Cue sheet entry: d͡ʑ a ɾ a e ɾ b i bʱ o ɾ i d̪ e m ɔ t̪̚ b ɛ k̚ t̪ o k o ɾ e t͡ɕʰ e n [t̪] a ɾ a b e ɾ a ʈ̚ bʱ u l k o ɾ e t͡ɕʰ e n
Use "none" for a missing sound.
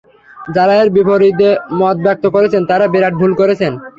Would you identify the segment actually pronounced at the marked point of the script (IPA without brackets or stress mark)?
t̪